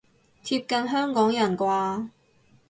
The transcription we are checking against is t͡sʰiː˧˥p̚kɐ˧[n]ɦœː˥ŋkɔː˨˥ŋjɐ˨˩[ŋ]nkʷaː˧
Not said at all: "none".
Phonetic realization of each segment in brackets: n, none

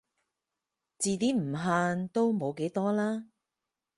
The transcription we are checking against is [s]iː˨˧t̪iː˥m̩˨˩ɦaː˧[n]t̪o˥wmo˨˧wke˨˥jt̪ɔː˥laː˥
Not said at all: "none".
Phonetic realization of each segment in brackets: t͡s, n

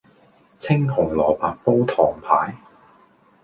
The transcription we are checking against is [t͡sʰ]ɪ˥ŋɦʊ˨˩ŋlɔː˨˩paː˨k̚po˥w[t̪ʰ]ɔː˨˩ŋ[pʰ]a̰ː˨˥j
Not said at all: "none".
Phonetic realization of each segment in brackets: t͡sʰ, t̪ʰ, pʰ

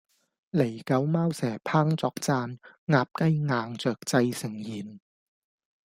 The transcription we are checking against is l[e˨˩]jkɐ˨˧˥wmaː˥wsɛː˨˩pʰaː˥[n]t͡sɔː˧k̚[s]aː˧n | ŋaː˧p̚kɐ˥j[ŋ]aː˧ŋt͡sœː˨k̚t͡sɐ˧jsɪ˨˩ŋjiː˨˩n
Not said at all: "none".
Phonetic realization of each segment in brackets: e˨˩, ŋ, t͡s, ŋ

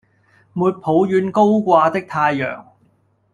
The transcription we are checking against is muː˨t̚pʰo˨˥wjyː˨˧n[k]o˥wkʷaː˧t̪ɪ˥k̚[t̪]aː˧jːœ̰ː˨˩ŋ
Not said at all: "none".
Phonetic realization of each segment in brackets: k, t̪ʰ

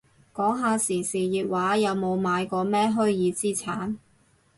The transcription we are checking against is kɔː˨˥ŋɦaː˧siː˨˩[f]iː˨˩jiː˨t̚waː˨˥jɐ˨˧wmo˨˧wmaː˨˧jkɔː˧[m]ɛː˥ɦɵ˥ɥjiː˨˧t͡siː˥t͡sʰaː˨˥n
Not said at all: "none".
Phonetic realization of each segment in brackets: s, m

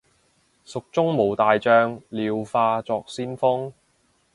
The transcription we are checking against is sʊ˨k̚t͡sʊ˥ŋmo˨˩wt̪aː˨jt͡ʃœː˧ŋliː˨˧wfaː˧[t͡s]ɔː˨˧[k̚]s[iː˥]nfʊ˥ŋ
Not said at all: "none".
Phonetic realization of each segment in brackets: t͡s, k̚, iː˥

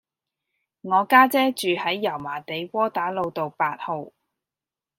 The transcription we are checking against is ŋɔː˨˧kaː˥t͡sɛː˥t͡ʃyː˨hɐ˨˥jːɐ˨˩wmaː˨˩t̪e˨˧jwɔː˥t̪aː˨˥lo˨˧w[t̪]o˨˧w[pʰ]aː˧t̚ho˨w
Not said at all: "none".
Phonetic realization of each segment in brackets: t̪, p

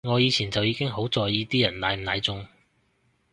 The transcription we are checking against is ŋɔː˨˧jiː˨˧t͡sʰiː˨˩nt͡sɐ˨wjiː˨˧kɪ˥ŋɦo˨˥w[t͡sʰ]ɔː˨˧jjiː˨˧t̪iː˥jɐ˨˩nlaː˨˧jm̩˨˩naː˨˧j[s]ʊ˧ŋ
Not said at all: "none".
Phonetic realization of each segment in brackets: t͡s, t͡s

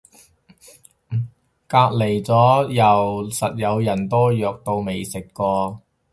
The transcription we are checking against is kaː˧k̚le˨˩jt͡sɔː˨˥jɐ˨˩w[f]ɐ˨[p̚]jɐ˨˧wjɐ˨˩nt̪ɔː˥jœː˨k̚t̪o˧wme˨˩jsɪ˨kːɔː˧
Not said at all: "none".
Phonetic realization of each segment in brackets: s, t̚

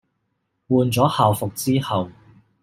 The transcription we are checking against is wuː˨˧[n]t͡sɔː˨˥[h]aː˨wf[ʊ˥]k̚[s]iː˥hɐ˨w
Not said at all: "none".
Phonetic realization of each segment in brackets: n, h, ʊ˨, t͡s

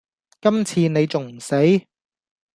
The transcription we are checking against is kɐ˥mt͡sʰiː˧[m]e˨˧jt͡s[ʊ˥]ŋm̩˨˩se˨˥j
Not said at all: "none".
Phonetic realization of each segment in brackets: n, ʊ˨

